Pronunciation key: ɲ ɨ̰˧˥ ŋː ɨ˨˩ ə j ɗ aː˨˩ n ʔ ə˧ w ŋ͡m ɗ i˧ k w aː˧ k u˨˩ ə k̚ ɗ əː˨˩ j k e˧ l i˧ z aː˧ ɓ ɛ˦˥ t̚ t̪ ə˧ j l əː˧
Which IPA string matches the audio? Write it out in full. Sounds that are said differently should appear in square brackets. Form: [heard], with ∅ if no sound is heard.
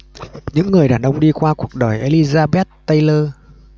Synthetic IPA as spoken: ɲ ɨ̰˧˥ ŋː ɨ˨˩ ə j ɗ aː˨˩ n ʔ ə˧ w ŋ͡m ɗ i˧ k w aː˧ k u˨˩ ə k̚ ɗ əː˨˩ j [ʔ] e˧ l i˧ z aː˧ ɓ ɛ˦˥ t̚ t̪ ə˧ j l əː˧